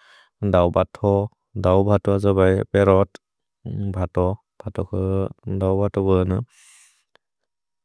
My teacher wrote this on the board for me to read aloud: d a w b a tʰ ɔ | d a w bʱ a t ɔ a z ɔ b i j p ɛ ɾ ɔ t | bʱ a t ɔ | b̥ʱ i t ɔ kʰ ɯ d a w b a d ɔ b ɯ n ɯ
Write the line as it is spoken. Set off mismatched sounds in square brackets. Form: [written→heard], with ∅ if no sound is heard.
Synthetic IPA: d a w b a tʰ ɔ | d a w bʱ a t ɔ a z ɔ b [i→a] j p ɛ ɾ ɔ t | bʱ a t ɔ | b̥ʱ [i→a] t ɔ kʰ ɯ d a w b a [d→t] ɔ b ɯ n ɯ